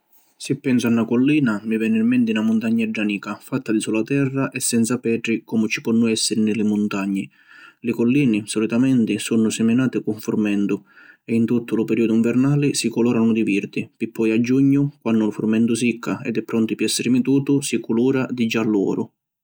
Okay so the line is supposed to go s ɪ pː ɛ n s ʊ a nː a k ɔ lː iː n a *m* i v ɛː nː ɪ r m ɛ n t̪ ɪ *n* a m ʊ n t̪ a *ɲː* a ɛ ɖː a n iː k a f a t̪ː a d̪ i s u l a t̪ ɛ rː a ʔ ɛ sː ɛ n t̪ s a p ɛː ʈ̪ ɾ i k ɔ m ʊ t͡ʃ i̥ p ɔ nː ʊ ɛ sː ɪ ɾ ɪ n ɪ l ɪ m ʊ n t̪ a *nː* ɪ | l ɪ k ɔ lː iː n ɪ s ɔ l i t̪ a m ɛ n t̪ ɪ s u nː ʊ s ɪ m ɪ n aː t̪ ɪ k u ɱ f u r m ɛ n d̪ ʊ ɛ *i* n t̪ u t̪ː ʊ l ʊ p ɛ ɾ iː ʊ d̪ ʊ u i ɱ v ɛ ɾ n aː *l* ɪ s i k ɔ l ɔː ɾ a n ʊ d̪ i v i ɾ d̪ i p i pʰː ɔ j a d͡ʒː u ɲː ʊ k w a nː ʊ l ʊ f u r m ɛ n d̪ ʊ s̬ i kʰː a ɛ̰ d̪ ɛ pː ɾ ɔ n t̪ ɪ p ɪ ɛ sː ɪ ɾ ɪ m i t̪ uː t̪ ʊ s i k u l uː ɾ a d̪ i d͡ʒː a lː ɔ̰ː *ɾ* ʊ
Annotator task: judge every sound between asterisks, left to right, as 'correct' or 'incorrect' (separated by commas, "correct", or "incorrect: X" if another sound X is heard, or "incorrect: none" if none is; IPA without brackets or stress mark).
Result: correct, correct, correct, incorrect: ɲː, correct, correct, correct